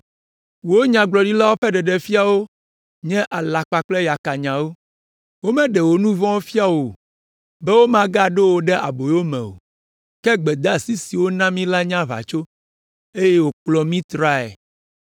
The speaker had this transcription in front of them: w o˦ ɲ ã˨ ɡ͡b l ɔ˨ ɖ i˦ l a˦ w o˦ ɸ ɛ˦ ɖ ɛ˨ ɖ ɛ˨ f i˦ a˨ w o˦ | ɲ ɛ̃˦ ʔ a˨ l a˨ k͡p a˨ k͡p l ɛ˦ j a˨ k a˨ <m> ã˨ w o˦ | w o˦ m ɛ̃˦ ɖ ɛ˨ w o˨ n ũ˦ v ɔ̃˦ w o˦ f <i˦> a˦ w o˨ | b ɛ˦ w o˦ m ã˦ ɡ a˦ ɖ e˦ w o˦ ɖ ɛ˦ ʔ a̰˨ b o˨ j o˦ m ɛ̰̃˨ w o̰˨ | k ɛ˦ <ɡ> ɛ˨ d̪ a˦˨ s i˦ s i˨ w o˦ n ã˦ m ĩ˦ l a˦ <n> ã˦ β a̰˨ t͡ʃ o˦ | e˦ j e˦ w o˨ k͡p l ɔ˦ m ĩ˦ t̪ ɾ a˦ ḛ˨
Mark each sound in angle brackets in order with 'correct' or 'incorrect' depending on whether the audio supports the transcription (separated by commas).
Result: incorrect, correct, incorrect, incorrect